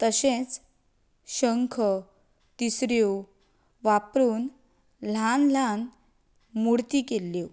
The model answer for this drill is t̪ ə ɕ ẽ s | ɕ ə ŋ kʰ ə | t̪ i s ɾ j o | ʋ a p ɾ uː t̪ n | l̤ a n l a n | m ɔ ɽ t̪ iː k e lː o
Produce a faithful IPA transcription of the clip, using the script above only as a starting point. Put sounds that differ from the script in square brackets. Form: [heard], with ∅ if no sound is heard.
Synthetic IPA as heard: t̪ ə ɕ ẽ [t͡s] | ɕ ə ŋ kʰ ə | t̪ i s ɾ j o | ʋ a p ɾ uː [∅] n | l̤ a n l a n | m [u] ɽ t̪ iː k e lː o